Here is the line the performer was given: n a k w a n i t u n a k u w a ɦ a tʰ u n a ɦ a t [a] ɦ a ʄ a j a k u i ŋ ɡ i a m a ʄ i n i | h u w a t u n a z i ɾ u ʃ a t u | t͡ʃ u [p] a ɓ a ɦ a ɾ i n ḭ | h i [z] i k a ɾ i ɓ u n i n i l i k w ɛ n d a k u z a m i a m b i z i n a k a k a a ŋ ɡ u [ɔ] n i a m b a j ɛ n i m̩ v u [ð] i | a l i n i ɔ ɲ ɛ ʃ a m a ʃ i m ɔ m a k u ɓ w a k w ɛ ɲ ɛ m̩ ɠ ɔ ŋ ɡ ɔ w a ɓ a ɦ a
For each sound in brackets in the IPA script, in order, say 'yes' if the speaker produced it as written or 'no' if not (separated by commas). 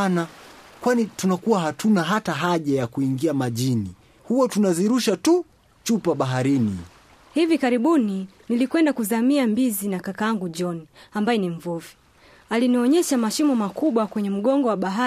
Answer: yes, yes, no, yes, no